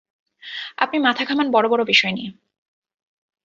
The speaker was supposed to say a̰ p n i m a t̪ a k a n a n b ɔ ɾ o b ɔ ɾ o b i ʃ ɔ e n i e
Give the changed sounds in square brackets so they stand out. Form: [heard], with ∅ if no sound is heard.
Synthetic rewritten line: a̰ p n i m a [t̪ʰ] a [kʰ] a [m] a n b ɔ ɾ o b ɔ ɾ o b i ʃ ɔ e n i e